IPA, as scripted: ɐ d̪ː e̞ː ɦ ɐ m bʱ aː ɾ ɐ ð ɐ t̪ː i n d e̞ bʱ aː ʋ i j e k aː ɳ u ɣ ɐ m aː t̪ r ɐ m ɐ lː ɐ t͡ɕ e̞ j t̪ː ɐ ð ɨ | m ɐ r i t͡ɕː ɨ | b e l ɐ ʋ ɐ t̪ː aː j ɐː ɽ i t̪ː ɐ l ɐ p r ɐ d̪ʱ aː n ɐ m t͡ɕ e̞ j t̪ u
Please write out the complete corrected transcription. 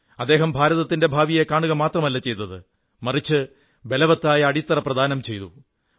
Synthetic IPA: ɐ d̪ː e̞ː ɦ ɐ m bʱ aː ɾ ɐ ð ɐ t̪ː i n d e̞ bʱ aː ʋ i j e k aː ɳ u ɣ ɐ m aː t̪ r ɐ m ɐ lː ɐ t͡ɕ e̞ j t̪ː ɐ ð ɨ | m ɐ r i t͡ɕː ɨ | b e l ɐ ʋ ɐ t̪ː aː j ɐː ɽ i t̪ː ɐ r ɐ p r ɐ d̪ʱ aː n ɐ m t͡ɕ e̞ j t̪ u